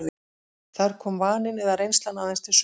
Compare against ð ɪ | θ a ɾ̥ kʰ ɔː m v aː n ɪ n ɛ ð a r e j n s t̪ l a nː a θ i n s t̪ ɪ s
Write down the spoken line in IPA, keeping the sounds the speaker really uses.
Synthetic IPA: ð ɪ | θ a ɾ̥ kʰ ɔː m v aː n ɪ n ɛ ð a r e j n s t̪ l a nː a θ ɛ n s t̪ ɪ s